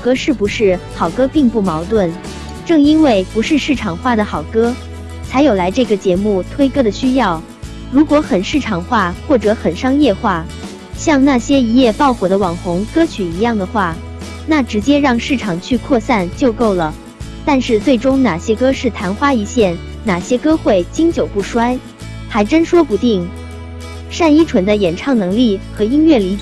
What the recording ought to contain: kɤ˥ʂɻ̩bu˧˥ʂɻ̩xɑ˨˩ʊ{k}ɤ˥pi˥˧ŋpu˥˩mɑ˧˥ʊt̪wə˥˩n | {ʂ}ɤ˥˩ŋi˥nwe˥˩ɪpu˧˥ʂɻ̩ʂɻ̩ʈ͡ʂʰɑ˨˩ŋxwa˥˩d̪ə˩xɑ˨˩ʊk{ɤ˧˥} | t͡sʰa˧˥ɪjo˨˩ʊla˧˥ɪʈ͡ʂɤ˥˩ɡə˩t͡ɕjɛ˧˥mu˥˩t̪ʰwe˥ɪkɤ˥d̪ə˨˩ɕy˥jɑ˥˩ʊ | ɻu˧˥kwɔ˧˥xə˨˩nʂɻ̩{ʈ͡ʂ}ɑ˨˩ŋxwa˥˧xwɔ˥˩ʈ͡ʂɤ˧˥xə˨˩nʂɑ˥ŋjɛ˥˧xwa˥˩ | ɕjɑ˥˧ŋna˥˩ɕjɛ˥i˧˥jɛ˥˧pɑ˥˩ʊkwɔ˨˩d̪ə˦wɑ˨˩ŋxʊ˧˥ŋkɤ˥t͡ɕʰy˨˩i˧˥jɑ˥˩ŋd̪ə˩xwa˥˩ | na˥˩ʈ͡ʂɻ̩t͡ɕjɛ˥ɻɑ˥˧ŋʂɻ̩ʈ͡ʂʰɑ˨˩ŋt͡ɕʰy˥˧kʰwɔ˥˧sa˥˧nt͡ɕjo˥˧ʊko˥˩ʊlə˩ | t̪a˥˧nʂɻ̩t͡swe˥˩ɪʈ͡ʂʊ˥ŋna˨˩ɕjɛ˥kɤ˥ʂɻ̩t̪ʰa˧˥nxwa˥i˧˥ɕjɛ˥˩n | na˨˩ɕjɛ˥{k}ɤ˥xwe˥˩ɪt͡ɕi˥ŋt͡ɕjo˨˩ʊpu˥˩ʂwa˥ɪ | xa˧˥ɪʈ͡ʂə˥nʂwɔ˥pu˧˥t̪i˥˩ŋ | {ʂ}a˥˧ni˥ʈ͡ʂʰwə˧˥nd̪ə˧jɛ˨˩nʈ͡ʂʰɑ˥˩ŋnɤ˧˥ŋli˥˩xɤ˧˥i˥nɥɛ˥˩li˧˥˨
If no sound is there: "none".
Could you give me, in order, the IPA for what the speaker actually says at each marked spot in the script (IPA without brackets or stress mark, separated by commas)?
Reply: k, ʈ͡ʂ, ɤ˥, ʈ͡ʂʰ, k, ʂ